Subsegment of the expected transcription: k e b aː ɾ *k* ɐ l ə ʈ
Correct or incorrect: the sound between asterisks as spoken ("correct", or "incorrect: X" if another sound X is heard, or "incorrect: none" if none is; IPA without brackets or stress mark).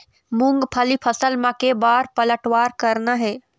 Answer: incorrect: p